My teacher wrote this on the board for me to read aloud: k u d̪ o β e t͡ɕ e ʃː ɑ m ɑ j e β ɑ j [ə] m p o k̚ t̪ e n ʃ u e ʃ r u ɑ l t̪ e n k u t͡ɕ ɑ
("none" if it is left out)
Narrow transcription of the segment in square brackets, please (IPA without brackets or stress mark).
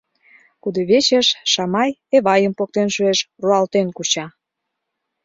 ə